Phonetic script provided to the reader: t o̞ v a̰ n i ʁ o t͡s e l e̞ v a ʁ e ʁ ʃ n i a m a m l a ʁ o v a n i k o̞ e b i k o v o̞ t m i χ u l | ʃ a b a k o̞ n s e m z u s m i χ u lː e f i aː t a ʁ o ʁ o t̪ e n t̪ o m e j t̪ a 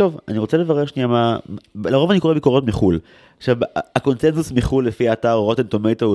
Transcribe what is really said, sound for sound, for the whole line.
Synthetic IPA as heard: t o̞ v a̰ n i ʁ o t͡s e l e̞ v a ʁ e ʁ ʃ n i a m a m l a ʁ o v a n i k o̞ e b i k o ʁ o̞ t m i χ u l | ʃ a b a k o̞ n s e n z u s m i χ u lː e f i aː t a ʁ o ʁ o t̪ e n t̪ o m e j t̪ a